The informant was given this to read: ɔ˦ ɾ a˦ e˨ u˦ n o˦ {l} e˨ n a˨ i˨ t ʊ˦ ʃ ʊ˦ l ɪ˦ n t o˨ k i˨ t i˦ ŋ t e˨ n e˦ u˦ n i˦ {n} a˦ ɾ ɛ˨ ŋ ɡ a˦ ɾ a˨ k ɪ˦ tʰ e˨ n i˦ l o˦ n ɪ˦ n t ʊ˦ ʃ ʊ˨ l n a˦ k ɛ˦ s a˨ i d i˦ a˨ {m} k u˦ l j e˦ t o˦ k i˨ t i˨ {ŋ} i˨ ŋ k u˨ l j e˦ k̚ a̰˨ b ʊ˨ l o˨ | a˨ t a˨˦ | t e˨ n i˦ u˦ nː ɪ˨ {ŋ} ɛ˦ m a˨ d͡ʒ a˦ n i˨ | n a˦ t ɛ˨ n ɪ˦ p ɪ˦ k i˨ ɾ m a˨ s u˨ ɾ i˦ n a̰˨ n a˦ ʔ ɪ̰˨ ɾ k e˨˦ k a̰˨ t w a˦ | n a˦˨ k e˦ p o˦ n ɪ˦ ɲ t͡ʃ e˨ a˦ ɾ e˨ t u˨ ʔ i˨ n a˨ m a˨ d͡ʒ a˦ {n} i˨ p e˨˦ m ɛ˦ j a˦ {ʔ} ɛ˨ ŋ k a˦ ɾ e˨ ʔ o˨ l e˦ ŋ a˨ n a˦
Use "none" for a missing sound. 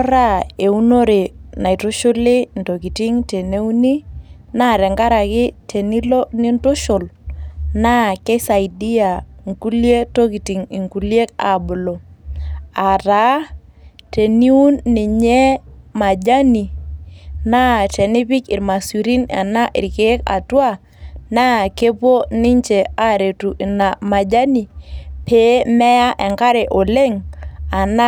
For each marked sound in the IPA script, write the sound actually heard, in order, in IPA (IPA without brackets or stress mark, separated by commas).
ɾ, n, ŋ, ŋ, ɲ, n, ʔ